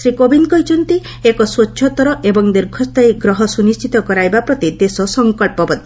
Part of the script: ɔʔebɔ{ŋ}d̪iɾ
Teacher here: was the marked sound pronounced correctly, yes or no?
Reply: yes